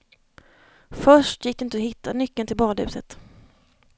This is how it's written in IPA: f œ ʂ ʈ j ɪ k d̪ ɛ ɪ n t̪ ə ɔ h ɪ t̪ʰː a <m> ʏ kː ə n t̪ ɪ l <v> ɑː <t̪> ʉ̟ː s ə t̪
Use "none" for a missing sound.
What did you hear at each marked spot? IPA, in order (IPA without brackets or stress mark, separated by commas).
n, b, d̪